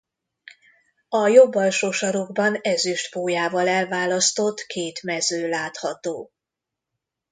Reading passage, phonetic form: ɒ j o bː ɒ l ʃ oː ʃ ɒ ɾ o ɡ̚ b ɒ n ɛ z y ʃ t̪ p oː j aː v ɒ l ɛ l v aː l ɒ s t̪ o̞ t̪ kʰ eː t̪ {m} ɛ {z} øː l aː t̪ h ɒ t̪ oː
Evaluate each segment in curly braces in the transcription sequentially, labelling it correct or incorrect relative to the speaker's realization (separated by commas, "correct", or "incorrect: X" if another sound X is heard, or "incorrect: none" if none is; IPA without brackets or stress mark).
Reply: correct, correct